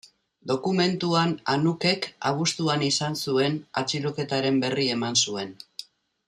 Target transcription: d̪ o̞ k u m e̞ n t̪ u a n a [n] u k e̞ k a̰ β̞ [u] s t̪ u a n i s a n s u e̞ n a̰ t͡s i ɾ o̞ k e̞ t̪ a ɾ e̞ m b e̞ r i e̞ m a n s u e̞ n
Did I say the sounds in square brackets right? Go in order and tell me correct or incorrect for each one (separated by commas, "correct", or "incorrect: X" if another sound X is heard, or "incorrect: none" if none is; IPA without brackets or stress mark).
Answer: correct, correct